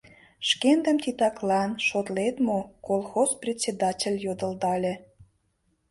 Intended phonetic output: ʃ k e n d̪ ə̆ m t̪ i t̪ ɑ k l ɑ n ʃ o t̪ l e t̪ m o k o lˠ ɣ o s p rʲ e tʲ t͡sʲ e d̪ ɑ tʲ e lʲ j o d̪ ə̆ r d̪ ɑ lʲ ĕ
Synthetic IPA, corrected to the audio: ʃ k e n d̪ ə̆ m t̪ i t̪ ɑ k l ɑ n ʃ o t̪ l e t̪ m o k o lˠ x o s p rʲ e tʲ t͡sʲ e d̪ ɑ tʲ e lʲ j o d̪ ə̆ l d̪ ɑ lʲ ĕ